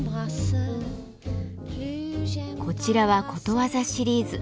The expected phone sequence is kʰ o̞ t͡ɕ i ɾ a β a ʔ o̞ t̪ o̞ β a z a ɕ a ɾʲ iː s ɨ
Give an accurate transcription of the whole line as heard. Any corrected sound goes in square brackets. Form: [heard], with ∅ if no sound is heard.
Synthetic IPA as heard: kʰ o̞ t͡ɕ i ɾ a β a [k] o̞ t̪ o̞ β a z a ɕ [i] ɾʲ iː [z] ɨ